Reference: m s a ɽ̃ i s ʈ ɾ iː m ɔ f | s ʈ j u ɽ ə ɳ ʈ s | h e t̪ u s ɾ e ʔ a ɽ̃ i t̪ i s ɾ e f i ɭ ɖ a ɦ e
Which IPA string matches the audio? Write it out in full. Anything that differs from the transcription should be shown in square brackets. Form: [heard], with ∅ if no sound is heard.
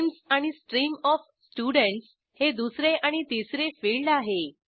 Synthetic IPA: m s a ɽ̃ i s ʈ ɾ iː m ɔ f | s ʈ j u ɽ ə ɳ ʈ s | h e [d̪] u s ɾ e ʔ a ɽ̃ i t̪ i s ɾ e f i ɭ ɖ a ɦ e